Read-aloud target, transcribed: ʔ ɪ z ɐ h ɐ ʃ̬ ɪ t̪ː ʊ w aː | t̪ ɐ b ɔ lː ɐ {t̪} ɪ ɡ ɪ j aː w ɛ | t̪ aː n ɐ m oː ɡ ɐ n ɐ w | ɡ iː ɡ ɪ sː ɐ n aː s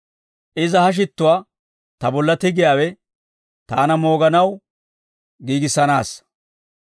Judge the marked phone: correct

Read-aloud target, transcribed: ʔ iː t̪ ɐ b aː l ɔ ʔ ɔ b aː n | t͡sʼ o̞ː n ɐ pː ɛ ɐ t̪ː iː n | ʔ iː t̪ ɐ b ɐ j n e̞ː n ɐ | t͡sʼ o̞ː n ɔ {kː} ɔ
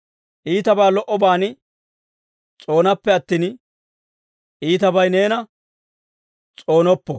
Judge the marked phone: incorrect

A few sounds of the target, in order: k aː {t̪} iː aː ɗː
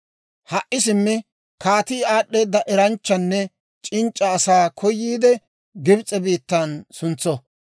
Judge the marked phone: correct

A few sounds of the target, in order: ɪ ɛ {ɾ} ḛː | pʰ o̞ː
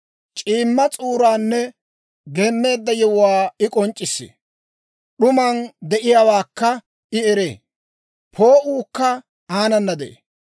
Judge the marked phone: correct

